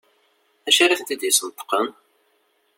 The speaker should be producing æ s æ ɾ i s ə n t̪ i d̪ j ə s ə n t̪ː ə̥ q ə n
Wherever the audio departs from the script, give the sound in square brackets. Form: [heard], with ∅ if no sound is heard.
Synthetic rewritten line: æ [ʃ] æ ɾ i [θ] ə n t̪ i d̪ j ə s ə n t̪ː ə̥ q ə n